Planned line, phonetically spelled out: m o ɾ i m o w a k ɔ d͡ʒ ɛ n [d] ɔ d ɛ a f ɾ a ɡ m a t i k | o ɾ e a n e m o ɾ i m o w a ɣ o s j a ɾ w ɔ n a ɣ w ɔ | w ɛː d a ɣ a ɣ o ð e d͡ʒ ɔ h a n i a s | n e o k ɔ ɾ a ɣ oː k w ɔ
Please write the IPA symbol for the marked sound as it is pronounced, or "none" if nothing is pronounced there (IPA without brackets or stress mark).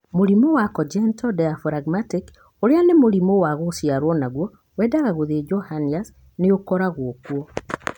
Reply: t